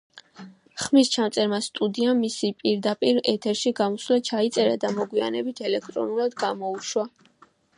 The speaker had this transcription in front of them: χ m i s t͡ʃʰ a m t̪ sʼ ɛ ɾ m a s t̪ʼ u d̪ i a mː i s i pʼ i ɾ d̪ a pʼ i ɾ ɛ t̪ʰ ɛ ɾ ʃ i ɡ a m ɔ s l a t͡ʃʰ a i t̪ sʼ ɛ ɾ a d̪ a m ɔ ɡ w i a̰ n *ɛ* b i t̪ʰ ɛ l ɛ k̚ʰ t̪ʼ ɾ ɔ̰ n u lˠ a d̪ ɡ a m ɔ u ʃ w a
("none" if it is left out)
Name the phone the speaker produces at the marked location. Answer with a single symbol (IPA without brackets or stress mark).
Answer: ɛ